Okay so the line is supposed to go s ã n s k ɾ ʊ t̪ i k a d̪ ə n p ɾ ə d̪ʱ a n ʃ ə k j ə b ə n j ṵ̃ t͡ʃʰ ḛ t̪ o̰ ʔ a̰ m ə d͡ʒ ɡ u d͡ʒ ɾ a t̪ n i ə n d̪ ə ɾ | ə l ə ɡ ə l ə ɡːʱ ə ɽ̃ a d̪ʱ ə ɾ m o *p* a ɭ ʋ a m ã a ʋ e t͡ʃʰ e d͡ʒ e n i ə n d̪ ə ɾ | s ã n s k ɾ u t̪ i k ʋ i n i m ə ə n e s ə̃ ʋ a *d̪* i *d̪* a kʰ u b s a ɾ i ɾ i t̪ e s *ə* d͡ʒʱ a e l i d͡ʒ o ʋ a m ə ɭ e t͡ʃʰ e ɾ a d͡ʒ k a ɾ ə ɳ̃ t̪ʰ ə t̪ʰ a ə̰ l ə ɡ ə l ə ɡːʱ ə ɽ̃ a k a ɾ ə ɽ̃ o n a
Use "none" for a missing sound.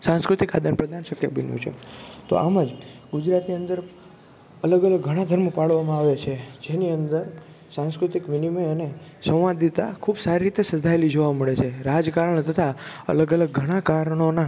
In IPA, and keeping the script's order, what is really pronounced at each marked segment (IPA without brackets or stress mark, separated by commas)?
p, d̪, t̪, ə